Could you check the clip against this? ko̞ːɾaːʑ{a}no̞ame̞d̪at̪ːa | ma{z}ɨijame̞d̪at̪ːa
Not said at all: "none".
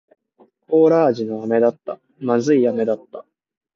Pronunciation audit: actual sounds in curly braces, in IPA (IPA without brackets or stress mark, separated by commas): i, z